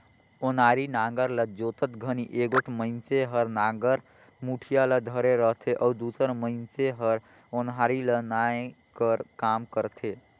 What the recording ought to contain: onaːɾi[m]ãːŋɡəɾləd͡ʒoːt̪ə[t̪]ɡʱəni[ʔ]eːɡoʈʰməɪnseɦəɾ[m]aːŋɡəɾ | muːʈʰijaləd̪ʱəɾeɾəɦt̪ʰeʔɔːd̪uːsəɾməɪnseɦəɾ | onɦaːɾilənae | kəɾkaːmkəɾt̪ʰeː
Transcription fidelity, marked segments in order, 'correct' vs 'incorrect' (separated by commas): incorrect, correct, correct, incorrect